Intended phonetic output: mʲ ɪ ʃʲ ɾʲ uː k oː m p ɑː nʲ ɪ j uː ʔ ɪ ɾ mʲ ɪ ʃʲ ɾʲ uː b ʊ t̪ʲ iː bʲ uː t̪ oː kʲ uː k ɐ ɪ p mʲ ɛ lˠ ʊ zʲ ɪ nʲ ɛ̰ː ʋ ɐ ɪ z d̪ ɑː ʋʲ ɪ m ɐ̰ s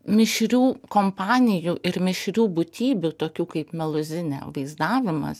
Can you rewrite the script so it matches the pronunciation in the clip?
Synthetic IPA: mʲ ɪ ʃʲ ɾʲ uː k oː m p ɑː nʲ ɪ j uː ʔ ɪ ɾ mʲ ɪ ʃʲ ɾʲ uː b ʊ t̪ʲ iː bʲ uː t̪ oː kʲ uː k ɐ ɪ p mʲ ɛ lˠ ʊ zʲ ɪ nʲ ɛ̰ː ʋ ɐ ɪ z d̪ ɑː ʋʲ ɪ m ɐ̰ s